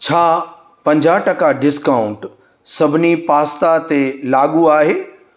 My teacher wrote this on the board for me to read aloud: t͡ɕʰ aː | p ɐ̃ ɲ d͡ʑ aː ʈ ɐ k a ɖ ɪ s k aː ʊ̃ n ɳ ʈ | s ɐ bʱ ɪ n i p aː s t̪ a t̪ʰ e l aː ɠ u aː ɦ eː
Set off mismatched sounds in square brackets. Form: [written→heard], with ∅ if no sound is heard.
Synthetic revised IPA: t͡ɕʰ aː | p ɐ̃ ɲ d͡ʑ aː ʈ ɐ k a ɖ ɪ s k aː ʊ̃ [n→∅] ɳ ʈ | s ɐ bʱ ɪ n i p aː s t̪ a [t̪ʰ→t̪] e l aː ɠ u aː ɦ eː